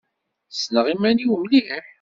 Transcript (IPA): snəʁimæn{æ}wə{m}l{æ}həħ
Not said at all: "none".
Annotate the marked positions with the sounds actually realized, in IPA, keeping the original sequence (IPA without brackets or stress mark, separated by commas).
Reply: i, m, i